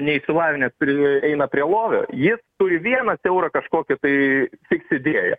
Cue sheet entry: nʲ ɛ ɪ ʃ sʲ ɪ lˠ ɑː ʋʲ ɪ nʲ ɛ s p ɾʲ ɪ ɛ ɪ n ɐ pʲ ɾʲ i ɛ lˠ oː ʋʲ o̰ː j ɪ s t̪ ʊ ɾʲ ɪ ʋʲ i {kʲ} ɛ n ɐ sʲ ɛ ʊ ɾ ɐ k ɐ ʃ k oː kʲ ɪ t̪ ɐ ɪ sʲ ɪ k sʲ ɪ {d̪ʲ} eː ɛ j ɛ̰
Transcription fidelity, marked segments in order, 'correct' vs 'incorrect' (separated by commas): incorrect, correct